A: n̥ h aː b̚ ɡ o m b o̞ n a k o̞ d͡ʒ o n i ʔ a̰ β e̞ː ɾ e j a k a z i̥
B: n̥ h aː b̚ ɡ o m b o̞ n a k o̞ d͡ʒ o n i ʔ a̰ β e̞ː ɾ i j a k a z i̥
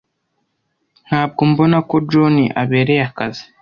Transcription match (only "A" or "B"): A